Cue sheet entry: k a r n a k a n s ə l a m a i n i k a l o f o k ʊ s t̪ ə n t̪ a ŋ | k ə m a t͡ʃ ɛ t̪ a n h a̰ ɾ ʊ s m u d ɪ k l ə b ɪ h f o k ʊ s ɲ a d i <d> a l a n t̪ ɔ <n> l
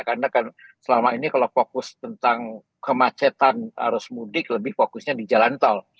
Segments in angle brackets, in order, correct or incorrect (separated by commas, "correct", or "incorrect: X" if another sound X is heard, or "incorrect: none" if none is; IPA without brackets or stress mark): incorrect: d͡ʒ, incorrect: none